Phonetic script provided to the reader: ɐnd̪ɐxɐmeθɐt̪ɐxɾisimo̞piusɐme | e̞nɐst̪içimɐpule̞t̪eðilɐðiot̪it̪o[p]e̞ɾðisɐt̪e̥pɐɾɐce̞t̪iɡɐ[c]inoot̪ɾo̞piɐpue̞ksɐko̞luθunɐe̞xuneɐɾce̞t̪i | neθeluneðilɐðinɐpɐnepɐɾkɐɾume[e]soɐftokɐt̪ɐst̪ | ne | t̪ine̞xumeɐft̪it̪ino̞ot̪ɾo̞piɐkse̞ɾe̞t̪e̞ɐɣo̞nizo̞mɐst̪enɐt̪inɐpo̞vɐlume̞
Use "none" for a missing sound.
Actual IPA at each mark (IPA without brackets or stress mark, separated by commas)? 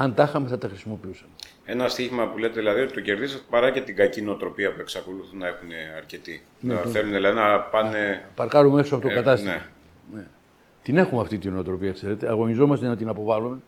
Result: c, c, e